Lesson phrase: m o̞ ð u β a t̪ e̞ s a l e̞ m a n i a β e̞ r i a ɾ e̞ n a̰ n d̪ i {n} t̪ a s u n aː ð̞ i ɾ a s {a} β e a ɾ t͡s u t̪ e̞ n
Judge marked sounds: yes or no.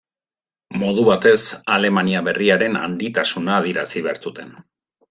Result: no, no

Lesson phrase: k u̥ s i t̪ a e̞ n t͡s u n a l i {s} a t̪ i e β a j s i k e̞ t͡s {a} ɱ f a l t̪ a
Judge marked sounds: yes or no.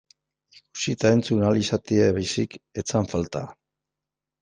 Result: yes, yes

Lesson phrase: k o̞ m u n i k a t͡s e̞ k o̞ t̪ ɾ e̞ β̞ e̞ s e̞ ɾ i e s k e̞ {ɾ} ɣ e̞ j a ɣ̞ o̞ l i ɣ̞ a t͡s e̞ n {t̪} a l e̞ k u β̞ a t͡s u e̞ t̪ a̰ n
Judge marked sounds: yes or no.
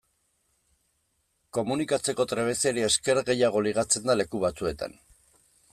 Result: yes, no

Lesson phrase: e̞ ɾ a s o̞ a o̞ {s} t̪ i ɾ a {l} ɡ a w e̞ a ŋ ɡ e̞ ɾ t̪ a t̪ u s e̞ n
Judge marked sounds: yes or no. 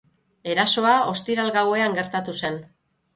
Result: yes, yes

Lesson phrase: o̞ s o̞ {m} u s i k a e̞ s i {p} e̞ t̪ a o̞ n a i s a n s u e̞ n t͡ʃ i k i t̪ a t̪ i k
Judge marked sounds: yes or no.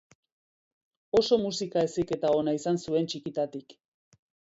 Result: yes, no

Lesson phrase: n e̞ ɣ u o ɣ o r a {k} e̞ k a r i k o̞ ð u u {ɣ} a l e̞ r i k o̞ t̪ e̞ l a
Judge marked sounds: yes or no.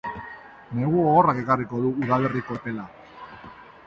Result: yes, no

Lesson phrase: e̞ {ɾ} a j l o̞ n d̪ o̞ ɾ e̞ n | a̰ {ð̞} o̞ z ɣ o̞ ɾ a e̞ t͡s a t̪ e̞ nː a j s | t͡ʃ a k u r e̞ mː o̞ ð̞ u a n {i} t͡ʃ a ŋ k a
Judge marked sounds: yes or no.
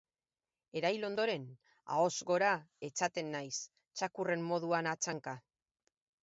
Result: yes, no, no

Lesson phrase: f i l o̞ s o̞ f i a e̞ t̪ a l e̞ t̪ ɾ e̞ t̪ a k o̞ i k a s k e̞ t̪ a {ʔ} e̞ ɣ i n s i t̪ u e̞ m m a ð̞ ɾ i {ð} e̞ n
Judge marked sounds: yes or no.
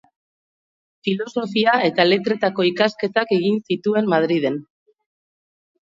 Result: no, yes

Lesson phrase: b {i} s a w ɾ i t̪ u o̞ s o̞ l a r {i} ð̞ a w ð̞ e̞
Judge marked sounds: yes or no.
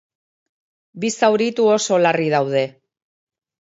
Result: yes, yes

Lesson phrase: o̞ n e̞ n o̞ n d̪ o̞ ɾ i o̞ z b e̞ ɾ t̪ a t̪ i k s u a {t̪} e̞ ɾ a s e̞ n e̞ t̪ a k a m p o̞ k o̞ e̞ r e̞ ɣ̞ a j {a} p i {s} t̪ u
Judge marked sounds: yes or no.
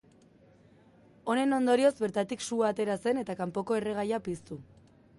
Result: yes, yes, yes

